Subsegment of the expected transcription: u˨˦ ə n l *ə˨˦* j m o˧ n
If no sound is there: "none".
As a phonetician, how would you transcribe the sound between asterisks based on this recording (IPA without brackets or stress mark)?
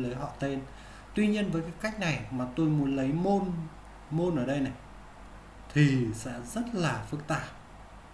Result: ə˨˦